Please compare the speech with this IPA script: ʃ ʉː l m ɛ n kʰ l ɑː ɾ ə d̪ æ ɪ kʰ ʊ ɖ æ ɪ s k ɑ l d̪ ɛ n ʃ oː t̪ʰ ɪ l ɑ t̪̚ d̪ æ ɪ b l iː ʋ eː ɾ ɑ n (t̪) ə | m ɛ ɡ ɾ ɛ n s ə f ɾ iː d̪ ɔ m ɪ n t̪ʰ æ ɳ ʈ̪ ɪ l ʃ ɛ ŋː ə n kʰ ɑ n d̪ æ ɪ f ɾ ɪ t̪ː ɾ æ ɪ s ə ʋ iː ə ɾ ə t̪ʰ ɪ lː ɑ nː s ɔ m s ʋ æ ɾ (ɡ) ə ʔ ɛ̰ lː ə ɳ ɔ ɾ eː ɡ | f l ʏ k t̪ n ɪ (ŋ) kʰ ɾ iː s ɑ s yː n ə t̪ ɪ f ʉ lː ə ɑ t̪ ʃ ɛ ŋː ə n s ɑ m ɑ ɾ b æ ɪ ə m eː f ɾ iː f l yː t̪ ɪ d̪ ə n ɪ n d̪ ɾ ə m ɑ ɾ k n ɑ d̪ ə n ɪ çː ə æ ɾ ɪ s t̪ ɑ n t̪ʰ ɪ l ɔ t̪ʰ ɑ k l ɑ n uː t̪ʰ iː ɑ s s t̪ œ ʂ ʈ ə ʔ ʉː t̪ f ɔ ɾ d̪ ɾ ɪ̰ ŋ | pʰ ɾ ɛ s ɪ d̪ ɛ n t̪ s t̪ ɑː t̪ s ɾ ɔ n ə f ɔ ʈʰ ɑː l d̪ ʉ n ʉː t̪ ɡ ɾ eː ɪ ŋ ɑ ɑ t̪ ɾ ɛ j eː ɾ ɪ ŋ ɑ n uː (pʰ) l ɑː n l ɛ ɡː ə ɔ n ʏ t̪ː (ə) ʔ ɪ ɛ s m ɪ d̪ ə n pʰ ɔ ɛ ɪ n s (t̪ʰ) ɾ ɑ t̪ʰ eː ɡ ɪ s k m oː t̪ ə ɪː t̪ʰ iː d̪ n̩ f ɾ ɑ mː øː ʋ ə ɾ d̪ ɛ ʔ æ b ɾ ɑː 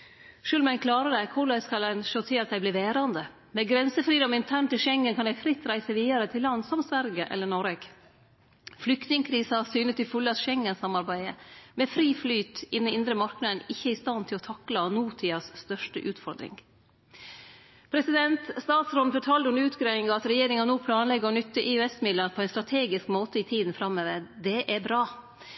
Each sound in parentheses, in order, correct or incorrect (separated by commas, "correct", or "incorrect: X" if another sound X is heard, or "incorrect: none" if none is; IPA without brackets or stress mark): incorrect: d̪, correct, correct, correct, correct, incorrect: t̪